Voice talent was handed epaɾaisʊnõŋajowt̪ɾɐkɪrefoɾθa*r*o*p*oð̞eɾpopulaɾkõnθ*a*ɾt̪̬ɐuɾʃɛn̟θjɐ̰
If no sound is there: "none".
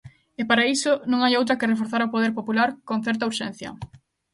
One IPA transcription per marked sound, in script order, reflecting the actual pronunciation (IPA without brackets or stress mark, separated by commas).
ɾ, p, ɛ